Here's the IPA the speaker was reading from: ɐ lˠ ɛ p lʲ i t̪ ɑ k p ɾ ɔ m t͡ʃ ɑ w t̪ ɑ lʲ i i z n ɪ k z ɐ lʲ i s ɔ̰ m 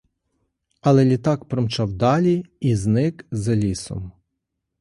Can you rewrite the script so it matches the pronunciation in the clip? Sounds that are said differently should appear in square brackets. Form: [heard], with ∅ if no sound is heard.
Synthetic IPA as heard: ɐ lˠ ɛ [∅] lʲ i t̪ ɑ k p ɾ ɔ m t͡ʃ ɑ w [d̪] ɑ lʲ i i z n ɪ k z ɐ lʲ i s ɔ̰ m